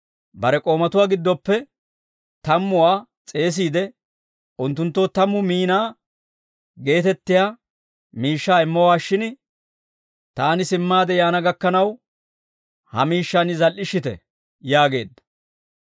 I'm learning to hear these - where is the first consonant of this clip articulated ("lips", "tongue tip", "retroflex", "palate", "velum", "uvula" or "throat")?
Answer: lips